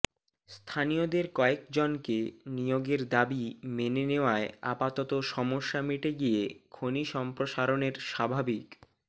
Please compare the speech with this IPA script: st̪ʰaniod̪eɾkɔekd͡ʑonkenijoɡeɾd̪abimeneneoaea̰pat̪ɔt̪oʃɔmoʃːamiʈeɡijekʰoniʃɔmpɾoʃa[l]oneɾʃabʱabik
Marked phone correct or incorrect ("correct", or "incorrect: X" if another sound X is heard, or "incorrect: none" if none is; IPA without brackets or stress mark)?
incorrect: ɾ